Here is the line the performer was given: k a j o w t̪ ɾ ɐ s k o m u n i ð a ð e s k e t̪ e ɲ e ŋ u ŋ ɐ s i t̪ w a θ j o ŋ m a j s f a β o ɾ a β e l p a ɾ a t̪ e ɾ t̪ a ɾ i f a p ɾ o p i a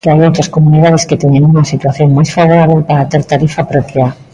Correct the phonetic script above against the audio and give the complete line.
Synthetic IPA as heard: k a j o w t̪ ɾ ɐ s k o m u n i ð a ð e s k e t̪ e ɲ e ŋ u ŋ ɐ s i t̪ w a θ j o ŋ m a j s f a β o ɾ a β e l p a ɾ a t̪ e ɾ t̪ a ɾ i f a p ɾ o p j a